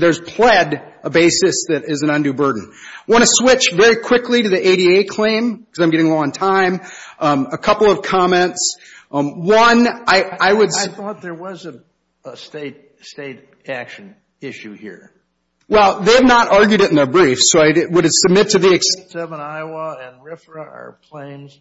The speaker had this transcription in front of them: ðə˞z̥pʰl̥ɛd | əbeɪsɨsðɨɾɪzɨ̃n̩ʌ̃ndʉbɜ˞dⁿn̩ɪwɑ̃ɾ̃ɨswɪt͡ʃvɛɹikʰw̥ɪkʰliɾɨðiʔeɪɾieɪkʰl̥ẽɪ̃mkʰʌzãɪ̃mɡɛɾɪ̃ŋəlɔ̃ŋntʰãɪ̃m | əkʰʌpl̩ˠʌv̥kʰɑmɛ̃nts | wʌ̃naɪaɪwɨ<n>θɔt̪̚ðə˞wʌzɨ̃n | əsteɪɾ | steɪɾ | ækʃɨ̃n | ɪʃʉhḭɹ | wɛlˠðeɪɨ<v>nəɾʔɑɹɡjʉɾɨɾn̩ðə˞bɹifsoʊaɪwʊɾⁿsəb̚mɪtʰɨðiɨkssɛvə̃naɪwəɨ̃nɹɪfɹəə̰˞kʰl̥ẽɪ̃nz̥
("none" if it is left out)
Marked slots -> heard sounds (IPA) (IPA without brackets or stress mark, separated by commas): d, v